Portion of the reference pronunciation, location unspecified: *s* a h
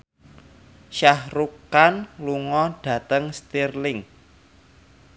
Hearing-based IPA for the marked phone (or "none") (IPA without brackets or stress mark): ʃ